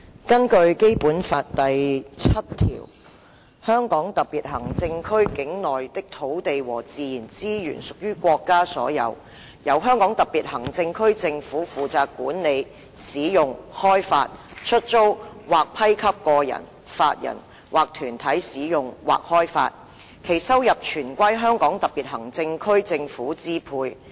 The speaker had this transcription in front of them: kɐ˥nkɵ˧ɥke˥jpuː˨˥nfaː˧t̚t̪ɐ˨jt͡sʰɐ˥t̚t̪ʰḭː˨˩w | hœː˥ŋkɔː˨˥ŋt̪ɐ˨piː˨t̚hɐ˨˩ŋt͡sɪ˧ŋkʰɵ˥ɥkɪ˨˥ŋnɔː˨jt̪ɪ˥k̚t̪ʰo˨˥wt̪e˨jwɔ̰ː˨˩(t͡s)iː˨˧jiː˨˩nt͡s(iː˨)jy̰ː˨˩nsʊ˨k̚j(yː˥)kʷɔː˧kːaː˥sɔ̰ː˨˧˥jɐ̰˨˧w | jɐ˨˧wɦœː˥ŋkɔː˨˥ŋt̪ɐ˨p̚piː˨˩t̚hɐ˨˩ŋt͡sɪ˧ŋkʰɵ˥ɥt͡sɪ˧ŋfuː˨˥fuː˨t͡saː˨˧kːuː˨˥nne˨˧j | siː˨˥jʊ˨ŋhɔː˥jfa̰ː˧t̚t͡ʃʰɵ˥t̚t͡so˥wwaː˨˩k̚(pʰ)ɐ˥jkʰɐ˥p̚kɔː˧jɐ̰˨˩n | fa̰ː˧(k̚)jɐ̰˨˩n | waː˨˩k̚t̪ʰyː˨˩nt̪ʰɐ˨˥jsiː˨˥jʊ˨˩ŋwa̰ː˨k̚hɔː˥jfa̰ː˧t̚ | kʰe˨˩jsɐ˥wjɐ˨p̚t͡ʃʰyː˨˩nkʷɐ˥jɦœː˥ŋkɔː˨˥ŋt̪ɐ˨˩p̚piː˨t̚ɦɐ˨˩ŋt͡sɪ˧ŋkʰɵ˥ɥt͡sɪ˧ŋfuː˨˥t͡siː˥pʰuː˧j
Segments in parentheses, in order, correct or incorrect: correct, incorrect: iː˥, correct, correct, incorrect: t̚

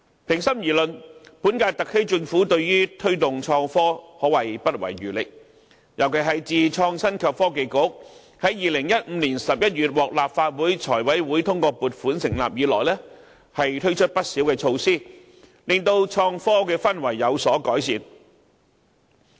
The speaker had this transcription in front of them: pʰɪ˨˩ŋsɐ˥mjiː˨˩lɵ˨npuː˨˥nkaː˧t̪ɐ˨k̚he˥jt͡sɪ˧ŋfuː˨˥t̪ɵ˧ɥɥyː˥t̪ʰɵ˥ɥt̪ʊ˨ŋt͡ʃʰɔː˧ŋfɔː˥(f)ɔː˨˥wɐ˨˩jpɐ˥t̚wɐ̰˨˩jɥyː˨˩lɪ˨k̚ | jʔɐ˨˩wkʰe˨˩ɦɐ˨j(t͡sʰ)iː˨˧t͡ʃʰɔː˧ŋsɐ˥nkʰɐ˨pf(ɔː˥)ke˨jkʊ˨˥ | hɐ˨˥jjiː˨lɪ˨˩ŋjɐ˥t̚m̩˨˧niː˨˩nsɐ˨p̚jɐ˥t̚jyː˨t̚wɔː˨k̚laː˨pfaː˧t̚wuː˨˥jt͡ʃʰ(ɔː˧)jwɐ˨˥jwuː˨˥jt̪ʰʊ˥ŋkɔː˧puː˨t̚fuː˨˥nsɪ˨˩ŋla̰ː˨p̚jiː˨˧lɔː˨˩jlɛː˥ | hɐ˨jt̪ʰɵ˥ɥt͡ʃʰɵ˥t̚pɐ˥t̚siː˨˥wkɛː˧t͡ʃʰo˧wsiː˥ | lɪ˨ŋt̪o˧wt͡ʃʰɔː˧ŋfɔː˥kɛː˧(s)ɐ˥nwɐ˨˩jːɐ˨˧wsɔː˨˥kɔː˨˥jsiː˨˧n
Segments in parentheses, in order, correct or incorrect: incorrect: h, incorrect: t͡s, correct, incorrect: ɔː˨˩, incorrect: f

